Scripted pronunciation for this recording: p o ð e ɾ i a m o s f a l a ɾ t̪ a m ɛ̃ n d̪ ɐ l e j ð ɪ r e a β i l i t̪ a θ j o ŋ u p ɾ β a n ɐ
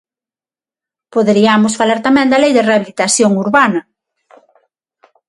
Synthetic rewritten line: p o ð e ɾ i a m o s f a l a ɾ t̪ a m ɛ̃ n d̪ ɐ l e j ð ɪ r e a β i l i t̪ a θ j o ŋ u ɾ β a n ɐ